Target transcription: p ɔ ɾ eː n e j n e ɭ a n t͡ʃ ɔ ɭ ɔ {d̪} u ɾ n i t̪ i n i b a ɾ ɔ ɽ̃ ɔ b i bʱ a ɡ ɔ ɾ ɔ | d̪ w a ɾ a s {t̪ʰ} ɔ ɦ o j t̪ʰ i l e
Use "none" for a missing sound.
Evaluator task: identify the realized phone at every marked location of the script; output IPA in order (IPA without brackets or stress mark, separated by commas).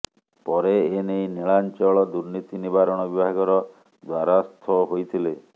d̪, t̪ʰ